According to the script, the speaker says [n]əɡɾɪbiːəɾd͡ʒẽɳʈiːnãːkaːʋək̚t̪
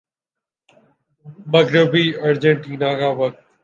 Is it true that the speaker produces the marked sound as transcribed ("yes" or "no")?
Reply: no